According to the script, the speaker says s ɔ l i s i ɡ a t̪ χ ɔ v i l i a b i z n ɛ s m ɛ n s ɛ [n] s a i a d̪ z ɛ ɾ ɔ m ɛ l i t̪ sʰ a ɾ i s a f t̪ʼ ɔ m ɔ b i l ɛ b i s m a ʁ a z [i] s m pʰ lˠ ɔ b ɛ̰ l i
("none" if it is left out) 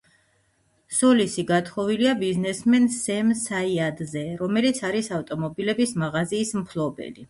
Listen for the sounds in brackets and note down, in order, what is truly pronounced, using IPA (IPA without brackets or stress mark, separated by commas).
m, iː